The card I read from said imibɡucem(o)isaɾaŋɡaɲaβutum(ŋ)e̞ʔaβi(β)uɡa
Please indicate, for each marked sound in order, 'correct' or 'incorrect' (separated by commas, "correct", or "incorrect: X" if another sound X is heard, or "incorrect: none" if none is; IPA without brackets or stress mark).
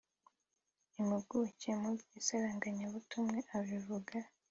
incorrect: u, correct, incorrect: v